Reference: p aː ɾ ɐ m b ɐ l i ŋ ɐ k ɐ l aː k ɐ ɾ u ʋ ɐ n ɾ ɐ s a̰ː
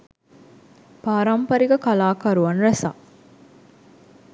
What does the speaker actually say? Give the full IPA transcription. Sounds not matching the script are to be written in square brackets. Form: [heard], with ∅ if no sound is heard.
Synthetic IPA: p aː ɾ ɐ m [p] ɐ [ɾ] i [ɡ] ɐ k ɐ l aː k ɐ ɾ u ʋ ɐ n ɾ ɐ s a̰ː